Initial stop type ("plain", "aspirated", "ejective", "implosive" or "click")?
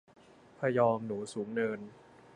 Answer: aspirated